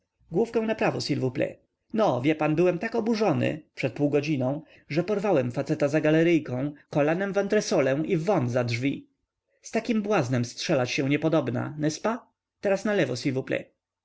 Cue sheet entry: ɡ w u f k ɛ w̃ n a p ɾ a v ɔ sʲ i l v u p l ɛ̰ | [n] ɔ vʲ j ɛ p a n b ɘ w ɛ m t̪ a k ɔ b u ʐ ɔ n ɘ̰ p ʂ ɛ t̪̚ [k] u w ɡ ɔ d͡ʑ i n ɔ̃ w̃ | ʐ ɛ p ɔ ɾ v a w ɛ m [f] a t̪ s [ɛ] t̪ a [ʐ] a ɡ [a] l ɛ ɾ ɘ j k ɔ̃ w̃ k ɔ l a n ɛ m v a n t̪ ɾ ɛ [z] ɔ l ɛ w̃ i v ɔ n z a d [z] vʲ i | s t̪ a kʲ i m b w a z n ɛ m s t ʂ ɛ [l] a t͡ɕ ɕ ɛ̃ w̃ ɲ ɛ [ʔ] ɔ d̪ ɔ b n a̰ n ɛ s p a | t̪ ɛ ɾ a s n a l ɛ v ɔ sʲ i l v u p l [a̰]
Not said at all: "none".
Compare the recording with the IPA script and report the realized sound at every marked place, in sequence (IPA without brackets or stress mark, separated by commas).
n, p, f, ɛ, z, a, s, ʐ, l, p, ɛ̰